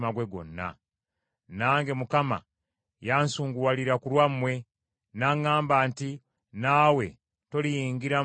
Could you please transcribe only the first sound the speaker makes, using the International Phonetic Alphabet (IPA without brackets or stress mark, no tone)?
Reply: m